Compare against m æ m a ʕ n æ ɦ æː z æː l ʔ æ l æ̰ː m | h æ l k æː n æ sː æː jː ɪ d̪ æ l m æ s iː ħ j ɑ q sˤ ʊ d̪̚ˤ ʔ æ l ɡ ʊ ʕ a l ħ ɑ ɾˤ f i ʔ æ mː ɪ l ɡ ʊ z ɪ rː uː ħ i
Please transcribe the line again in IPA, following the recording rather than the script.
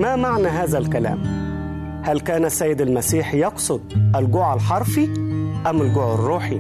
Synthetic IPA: m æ m a ʕ n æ ɦ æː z æ l k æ l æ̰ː m | h æ l k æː n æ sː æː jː ɪ d̪ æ l m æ s iː ħ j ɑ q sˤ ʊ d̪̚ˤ ʔ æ l ɡ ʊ ʕ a l ħ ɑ ɾˤ f i ʔ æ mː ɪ l ɡ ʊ ʕ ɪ rː uː ħ i